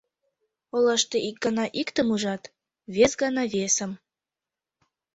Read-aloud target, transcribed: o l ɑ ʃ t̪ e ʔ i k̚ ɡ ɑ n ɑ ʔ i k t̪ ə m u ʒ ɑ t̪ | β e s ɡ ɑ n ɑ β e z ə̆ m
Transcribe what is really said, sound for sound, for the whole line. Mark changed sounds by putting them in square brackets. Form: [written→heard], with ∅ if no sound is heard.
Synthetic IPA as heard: o l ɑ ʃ t̪ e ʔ i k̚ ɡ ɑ n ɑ ʔ i k t̪ ə m u ʒ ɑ t̪ | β e s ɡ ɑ n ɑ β e [z→s] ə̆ m